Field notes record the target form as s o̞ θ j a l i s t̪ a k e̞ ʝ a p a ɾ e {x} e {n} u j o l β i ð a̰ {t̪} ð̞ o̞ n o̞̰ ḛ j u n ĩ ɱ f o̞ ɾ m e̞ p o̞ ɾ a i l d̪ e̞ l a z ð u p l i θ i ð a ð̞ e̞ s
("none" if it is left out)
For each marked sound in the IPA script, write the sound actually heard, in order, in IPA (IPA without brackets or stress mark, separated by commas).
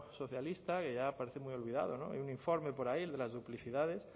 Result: θ, m, none